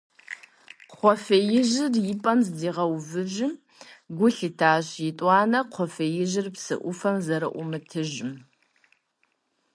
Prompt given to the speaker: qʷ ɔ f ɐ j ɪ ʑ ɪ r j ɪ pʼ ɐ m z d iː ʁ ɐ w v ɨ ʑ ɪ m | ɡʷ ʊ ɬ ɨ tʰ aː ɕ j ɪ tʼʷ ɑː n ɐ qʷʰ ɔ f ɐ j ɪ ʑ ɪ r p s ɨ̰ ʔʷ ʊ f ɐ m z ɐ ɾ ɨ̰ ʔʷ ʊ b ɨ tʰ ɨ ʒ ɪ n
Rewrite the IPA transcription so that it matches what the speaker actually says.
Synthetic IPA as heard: qʷ ɔ f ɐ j ɪ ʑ ɪ r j ɪ pʼ ɐ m z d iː ʁ ɐ w v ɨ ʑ ɪ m | ɡʷ ʊ ɬ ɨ tʰ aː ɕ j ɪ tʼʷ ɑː n ɐ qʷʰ ɔ f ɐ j ɪ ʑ ɪ r p s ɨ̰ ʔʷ ʊ f ɐ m z ɐ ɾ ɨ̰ ʔʷ ʊ m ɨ tʰ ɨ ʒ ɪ m